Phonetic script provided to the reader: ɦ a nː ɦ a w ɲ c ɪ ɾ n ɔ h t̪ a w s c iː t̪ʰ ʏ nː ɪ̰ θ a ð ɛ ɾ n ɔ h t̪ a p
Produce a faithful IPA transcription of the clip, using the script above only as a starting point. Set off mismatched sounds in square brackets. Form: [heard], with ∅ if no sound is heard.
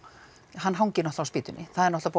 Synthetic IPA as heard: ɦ a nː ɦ a w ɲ c ɪ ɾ n ɔ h t̪ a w s [p] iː [t̪] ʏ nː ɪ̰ θ a ð ɛ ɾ n ɔ h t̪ a p